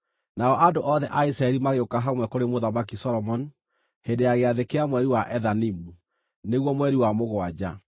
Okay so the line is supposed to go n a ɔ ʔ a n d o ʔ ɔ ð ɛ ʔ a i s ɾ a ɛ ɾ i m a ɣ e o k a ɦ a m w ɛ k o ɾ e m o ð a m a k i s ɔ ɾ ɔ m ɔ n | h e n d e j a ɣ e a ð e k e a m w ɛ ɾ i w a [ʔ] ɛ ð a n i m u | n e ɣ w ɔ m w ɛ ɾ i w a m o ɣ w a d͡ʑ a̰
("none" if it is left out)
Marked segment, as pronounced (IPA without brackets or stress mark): ʔ